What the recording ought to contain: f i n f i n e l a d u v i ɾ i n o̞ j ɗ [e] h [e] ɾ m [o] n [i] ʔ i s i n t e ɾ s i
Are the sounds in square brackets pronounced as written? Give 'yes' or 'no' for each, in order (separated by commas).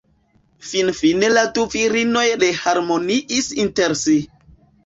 yes, no, yes, yes